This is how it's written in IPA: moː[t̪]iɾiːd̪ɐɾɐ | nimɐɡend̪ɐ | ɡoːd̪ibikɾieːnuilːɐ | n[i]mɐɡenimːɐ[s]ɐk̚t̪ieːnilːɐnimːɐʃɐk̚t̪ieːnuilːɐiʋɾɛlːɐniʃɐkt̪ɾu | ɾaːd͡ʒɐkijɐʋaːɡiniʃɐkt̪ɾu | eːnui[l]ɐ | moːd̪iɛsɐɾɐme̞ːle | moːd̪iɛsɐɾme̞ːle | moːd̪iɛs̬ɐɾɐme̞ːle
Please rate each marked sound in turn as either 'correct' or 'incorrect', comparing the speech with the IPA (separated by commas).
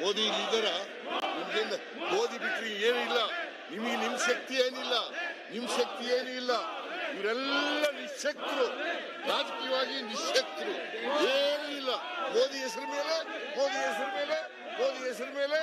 incorrect, correct, incorrect, incorrect